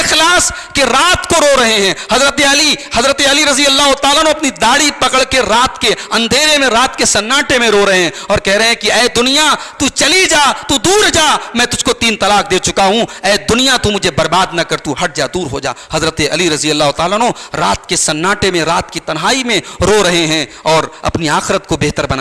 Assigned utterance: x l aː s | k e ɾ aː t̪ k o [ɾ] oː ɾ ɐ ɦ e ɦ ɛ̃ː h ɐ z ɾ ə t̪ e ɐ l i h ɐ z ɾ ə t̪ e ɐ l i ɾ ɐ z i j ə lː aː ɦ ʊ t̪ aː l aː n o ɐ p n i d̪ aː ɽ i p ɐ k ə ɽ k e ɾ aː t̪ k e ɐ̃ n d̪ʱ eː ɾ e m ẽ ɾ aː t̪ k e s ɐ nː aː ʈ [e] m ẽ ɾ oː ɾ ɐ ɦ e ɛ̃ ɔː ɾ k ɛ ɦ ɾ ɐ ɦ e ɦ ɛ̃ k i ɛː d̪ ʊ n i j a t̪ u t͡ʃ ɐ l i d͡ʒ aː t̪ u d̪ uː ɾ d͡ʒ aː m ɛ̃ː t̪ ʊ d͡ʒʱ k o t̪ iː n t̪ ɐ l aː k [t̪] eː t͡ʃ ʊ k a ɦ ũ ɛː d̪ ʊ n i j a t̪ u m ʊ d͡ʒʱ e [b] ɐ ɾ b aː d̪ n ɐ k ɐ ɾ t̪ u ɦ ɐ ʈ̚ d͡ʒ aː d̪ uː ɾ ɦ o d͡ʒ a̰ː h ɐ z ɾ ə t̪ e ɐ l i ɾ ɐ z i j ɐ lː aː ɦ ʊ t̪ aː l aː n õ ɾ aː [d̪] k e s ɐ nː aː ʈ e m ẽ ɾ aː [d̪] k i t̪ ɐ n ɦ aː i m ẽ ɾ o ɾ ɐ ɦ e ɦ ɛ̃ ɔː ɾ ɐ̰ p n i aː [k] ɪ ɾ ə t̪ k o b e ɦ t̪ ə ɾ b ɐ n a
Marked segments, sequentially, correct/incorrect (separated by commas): correct, correct, incorrect, correct, incorrect, incorrect, incorrect